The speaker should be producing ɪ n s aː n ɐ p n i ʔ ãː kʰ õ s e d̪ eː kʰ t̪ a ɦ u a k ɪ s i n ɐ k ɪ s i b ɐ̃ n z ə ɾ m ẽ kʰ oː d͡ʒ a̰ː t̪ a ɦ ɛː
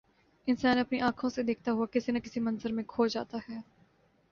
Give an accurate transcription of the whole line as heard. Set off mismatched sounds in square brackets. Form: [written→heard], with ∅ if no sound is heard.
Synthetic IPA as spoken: ɪ n s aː n ɐ p n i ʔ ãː kʰ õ s e d̪ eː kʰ t̪ a ɦ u a k ɪ s i n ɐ k ɪ s i [b→m] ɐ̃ n z ə ɾ m ẽ kʰ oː d͡ʒ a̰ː t̪ a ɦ ɛː